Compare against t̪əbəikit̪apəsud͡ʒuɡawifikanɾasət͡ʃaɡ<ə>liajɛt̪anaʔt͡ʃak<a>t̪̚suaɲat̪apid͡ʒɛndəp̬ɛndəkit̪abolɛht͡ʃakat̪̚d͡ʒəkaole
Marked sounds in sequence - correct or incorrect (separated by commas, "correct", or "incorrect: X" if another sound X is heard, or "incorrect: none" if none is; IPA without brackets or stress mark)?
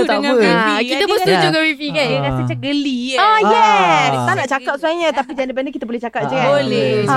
correct, correct